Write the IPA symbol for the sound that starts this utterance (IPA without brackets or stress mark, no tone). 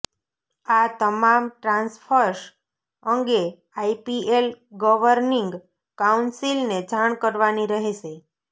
a